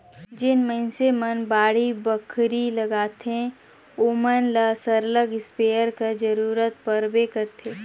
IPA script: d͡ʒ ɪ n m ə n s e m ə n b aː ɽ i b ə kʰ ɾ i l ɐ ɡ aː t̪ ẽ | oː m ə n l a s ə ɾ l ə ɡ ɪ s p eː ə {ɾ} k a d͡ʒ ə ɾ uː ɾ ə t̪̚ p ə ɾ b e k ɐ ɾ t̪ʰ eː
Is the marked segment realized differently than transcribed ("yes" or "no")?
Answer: no